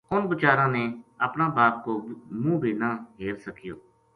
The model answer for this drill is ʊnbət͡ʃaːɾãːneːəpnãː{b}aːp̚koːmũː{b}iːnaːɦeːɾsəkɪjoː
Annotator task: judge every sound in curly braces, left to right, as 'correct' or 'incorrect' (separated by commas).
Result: correct, correct